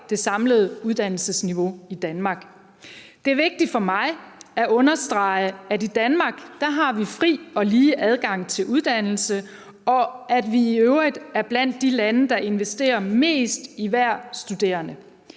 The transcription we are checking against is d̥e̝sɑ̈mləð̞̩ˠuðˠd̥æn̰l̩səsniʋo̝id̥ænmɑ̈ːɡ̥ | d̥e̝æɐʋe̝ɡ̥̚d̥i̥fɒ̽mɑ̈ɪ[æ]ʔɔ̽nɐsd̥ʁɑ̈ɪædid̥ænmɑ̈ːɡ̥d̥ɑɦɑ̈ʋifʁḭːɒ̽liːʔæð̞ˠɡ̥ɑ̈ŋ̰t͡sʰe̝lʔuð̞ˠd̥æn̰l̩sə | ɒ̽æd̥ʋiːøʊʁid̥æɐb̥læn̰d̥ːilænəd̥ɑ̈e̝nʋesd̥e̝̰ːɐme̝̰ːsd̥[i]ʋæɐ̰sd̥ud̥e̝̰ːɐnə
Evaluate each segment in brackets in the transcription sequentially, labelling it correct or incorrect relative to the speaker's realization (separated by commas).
correct, correct